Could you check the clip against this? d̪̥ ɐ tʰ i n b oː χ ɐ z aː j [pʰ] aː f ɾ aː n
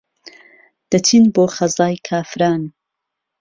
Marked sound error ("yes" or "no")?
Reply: yes